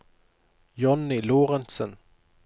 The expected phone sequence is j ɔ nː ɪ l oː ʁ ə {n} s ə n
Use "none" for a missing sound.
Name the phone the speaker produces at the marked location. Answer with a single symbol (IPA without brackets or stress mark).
n